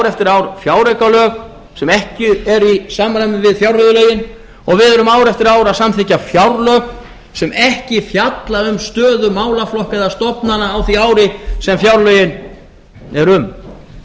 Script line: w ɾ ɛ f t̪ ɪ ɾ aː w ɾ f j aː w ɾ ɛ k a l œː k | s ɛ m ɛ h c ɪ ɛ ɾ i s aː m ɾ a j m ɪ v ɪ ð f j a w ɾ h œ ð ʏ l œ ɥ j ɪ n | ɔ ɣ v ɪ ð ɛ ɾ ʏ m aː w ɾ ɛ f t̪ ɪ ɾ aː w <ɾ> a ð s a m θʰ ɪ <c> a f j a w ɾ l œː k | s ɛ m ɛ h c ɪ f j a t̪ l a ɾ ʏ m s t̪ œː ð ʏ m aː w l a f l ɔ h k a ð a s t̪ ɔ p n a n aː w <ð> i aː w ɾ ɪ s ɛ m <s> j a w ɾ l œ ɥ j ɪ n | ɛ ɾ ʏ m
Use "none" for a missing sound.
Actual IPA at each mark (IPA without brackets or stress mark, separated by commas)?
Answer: ɾ, c, θ, f